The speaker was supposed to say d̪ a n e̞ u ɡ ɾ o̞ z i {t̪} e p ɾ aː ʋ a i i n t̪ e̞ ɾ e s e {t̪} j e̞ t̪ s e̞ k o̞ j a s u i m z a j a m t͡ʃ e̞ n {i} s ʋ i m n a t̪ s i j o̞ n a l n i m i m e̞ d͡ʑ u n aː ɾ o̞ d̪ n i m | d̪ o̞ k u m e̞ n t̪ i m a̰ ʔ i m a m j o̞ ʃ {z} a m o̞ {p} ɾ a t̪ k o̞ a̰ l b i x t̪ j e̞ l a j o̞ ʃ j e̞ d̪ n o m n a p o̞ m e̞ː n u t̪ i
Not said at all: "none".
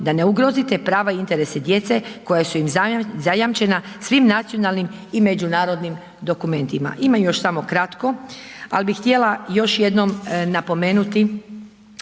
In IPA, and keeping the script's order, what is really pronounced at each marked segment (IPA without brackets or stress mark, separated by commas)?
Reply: t̪, d̪, a, s, k